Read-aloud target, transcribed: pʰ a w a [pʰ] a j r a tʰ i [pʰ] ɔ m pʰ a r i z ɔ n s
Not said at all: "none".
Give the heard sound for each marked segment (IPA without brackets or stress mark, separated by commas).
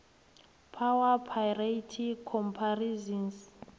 pʰ, kʰ